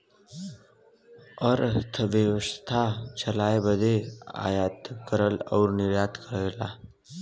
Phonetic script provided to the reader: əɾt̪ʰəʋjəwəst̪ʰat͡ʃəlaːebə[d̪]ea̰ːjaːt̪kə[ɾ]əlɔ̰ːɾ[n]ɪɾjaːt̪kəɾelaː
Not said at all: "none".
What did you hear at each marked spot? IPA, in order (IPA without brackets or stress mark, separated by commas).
d̪, ɾ, n